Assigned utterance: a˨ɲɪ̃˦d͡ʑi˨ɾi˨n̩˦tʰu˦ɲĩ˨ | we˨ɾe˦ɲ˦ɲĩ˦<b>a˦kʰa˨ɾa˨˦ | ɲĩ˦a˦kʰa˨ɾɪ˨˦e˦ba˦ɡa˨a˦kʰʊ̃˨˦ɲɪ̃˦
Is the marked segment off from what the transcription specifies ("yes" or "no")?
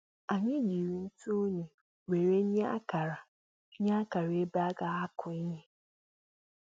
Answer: yes